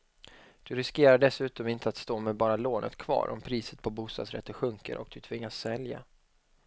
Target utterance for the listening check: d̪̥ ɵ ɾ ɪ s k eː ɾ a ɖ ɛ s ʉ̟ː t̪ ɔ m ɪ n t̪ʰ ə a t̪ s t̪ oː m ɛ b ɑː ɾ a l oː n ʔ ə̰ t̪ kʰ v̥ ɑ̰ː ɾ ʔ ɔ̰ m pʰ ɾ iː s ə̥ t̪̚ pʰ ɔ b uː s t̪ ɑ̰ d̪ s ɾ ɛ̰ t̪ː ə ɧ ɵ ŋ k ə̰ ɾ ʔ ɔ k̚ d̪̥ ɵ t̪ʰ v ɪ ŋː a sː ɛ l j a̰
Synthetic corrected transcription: d̪̥ ɵ ɾ ɪ s k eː ɾ a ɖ ɛ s ʉ̟ː t̪ ɔ m ɪ n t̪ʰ ə a t̪ s t̪ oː m ɛ b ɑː ɾ a l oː n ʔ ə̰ t̪ kʰ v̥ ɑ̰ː ɾ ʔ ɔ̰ m pʰ ɾ iː s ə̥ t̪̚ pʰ ɔ b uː s t̪ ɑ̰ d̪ s ɾ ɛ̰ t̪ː ə ɧ ɵ ŋ k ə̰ ɾ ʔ ɔ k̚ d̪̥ ɵ t̪ʰ v ɪ ŋː a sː ɛ l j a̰